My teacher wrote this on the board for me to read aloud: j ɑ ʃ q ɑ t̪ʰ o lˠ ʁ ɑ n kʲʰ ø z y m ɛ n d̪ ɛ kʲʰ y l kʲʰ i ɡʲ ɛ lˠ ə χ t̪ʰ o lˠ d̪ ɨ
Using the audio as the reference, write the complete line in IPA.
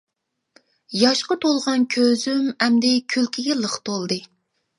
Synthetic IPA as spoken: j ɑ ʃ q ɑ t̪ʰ o lˠ ʁ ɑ n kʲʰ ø z y m ɛ m d̪ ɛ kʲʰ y l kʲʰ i ɡʲ ɛ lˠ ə χ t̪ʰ o lˠ d̪ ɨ

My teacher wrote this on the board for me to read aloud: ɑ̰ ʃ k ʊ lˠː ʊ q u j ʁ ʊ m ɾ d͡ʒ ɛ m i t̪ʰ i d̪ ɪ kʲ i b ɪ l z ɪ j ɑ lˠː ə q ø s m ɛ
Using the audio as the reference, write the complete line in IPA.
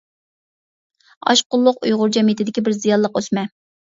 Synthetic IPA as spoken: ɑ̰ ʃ q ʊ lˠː ʊ q u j ʁ ʊ ɾ d͡ʒ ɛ m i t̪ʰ ɪ d̪ ɪ kʲ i b ɪ ɾ z i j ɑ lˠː ə q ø s m ɛ

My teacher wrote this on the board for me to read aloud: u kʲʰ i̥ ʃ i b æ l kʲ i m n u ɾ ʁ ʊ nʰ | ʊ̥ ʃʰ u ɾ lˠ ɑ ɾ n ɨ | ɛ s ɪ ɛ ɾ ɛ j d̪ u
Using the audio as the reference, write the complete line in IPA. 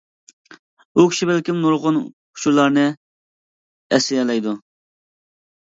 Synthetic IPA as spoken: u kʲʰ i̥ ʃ i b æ l kʲ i m n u ɾ ʁ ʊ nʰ | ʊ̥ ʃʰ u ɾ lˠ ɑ ɾ n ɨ | ɛ s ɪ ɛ l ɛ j d̪ u

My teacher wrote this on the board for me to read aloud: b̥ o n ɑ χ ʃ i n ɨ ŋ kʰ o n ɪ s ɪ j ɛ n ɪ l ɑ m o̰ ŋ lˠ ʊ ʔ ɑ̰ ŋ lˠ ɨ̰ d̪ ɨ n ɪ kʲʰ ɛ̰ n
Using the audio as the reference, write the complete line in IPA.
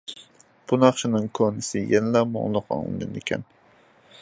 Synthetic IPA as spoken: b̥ u n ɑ χ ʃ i n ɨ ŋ kʰ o n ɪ s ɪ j ɛ n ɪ l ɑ m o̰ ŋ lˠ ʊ q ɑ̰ ŋ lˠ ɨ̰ d̪ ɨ n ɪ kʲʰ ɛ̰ n

